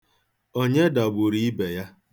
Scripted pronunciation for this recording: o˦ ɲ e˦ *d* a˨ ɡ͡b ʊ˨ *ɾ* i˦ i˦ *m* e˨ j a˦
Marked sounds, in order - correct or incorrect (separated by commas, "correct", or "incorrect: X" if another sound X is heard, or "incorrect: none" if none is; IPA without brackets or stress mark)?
correct, correct, incorrect: b